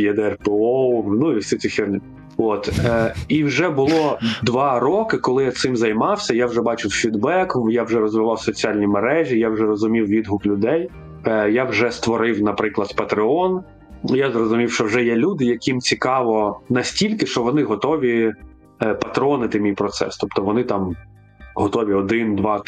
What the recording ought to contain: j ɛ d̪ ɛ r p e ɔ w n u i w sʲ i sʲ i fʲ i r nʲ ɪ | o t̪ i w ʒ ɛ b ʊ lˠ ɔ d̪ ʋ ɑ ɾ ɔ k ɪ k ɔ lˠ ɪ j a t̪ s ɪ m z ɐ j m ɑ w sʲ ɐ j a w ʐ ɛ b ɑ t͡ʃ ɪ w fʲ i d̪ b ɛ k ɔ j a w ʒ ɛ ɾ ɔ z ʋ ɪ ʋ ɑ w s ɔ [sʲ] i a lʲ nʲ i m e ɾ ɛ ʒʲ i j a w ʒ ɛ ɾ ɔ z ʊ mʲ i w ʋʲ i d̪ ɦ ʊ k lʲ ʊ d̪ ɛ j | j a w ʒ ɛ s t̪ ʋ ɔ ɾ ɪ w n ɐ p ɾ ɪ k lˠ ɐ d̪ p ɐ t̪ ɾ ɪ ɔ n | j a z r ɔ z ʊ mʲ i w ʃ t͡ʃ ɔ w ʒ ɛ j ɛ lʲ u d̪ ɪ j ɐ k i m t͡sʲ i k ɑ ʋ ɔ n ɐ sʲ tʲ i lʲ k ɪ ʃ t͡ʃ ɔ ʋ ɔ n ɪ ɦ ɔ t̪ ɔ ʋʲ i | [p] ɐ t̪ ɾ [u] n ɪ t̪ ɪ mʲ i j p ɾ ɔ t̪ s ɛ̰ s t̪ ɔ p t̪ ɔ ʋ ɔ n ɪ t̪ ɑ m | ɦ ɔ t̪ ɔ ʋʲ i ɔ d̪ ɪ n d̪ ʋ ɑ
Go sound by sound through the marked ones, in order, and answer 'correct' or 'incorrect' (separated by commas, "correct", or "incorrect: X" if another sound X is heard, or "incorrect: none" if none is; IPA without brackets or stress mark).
incorrect: t͡sʲ, correct, incorrect: ɔ